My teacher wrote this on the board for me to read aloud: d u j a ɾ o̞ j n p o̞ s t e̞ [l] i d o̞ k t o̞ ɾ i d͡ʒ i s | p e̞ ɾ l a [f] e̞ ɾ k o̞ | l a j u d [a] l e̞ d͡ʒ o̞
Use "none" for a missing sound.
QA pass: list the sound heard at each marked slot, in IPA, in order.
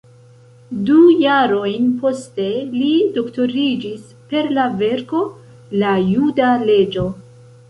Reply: l, v, a

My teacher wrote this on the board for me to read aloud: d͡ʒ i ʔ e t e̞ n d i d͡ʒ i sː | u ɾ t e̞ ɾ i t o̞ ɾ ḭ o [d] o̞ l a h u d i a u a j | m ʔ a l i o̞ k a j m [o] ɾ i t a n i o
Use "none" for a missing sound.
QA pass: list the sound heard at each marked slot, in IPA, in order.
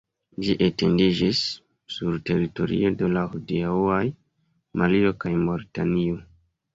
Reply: d, o

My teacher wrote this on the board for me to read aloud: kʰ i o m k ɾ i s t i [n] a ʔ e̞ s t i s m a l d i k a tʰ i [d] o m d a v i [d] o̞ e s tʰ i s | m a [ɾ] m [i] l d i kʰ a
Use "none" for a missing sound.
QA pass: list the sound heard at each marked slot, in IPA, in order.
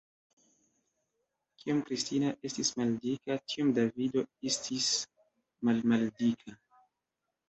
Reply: n, none, d, l, a

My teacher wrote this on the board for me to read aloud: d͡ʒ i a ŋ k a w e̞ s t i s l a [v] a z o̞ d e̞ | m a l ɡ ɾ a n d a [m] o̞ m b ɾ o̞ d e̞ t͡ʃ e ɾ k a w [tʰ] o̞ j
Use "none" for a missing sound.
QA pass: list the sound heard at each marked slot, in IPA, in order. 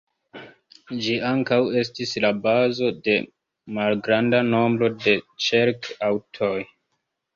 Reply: b, n, tʰ

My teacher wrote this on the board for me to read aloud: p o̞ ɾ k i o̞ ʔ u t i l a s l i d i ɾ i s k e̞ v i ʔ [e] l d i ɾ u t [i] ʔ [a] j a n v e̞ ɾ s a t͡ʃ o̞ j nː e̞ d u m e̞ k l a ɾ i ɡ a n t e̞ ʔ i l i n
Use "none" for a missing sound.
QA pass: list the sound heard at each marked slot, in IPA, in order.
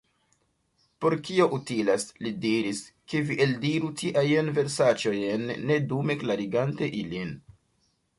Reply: e, i, a

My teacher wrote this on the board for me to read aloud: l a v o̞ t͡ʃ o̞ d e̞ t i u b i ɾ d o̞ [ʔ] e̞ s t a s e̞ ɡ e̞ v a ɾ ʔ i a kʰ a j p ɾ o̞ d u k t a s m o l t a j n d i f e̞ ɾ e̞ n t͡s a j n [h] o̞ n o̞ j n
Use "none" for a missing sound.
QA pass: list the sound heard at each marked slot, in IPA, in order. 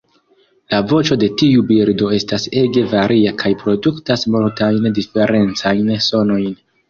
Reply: none, s

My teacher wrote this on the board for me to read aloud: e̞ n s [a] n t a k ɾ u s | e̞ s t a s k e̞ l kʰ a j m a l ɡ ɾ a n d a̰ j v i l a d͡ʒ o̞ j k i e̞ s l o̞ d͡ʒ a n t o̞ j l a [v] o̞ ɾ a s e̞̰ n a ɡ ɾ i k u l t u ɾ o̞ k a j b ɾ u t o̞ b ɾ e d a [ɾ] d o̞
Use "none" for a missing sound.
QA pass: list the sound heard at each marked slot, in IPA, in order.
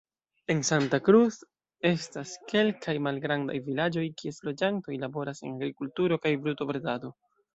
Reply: a, b, none

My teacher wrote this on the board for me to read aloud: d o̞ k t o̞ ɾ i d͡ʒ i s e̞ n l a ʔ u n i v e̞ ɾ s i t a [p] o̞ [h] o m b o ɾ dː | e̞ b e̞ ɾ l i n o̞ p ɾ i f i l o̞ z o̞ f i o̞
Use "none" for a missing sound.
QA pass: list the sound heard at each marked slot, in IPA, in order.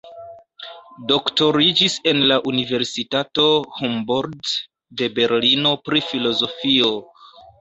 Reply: t, h

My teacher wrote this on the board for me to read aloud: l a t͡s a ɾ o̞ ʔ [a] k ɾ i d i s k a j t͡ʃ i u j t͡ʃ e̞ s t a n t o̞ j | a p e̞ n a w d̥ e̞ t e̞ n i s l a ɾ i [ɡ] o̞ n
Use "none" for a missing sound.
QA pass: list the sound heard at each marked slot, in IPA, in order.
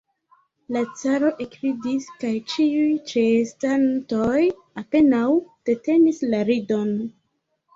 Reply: e, d

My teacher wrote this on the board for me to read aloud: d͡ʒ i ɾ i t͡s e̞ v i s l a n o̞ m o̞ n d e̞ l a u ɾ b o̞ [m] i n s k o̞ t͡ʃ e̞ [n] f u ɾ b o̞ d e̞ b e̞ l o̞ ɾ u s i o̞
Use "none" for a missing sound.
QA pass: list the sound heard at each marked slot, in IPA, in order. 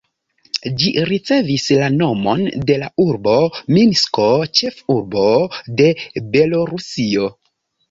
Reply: m, none

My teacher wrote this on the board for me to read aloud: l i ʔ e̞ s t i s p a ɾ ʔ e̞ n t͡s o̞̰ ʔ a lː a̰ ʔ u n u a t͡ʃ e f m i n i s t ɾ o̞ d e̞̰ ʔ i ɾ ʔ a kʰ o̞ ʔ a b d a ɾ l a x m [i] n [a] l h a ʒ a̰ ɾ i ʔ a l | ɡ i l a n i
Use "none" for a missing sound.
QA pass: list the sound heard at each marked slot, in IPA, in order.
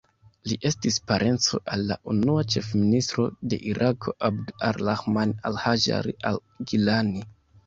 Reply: a, a

